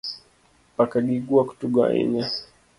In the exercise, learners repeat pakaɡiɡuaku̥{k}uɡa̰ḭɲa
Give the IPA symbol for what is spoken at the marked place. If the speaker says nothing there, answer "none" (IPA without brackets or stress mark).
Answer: t